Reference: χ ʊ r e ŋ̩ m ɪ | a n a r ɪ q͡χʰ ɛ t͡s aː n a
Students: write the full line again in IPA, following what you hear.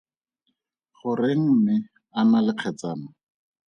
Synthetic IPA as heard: χ ʊ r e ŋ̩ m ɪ | a n a l ɪ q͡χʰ ɛ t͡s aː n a